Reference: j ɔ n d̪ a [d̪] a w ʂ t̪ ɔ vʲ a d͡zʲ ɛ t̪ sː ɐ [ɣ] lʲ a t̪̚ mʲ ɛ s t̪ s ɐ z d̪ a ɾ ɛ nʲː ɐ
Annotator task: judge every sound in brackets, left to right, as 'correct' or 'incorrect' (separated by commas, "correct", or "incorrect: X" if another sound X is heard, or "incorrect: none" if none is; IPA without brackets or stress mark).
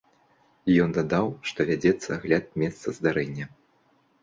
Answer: correct, correct